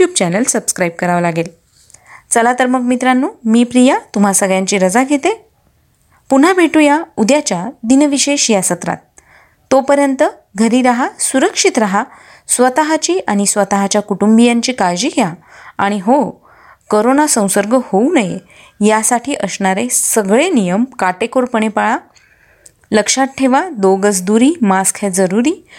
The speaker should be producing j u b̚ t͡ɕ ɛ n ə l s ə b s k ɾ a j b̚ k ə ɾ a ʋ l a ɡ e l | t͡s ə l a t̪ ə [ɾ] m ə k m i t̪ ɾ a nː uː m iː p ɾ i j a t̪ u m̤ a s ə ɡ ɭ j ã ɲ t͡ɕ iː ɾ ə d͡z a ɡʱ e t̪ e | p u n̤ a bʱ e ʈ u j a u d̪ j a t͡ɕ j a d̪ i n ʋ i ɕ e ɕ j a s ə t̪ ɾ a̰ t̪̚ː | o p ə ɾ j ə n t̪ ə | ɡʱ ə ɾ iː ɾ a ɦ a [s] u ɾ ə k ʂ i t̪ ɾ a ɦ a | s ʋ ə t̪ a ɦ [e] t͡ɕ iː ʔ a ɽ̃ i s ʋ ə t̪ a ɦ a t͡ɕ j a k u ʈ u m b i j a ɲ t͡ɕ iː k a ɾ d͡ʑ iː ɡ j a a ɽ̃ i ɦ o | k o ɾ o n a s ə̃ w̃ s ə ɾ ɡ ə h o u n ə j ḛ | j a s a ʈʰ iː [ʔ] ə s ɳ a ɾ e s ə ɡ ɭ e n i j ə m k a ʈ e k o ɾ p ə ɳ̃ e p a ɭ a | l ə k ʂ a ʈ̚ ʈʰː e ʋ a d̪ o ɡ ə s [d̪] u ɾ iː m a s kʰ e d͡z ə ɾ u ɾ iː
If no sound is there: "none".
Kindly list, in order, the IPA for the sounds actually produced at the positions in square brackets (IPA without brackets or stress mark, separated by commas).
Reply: ɾ, s, a, ʔ, d̪